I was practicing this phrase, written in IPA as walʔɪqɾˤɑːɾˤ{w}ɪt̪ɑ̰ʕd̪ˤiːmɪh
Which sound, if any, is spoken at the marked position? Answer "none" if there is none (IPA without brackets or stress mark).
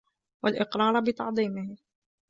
b